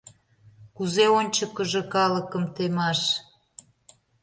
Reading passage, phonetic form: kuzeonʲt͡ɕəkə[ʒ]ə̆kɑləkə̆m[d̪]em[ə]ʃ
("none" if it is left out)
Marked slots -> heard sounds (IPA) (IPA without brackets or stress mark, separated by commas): ʒ, t̪, ɑ